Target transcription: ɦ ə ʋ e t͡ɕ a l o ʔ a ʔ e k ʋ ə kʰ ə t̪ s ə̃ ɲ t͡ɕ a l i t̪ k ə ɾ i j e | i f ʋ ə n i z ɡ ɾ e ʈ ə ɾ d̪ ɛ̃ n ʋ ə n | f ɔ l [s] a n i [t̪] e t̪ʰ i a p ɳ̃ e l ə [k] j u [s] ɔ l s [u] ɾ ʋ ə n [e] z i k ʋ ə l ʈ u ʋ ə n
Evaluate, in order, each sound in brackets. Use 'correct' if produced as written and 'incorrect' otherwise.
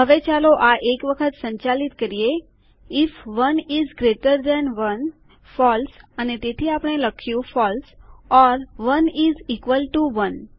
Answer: correct, correct, incorrect: kʰ, incorrect: f, incorrect: ɔ, incorrect: i

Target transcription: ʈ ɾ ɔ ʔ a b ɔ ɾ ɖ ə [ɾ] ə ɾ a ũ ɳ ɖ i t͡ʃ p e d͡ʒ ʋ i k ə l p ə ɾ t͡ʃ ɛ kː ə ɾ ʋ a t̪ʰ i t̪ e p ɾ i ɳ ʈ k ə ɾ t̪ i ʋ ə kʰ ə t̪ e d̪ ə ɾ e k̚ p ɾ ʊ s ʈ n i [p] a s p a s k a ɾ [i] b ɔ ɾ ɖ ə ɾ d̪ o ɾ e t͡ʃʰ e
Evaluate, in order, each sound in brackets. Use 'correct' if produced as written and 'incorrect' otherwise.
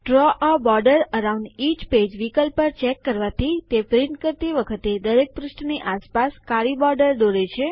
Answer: correct, incorrect: ʔ, correct

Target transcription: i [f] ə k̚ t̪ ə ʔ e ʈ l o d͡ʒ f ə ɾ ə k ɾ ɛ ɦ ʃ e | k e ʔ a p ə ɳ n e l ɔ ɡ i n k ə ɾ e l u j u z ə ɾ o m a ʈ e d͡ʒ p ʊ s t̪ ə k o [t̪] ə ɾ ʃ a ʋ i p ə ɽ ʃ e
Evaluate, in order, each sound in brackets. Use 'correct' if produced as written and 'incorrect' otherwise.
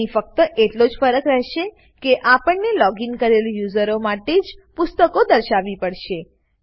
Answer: correct, incorrect: d̪

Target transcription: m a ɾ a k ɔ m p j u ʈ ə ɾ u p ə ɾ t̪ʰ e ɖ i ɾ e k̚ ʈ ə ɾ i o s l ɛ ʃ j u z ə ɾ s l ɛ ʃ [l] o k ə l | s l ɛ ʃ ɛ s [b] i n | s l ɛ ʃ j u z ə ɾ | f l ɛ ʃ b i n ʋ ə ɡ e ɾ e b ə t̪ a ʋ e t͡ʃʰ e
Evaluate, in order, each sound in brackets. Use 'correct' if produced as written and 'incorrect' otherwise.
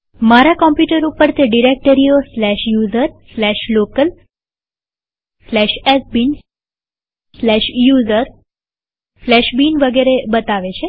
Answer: correct, correct

